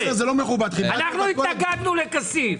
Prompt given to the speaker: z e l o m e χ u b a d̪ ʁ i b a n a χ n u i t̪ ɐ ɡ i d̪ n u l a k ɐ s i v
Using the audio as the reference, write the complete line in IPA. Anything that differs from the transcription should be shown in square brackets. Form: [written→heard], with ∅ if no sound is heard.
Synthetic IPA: z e l o m e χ u b a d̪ [ʁ→χ] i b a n a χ n u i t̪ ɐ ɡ [i→a] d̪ n u l [a→e] k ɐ s i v